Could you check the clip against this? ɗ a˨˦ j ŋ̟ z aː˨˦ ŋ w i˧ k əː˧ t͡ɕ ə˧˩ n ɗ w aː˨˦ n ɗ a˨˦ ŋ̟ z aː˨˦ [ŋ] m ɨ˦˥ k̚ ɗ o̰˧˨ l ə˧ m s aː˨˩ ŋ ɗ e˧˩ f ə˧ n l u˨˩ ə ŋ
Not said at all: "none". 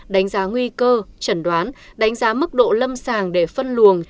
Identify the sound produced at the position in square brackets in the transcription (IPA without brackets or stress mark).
none